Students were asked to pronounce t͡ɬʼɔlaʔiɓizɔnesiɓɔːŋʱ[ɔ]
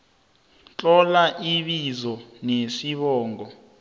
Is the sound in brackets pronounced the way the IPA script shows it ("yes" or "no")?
yes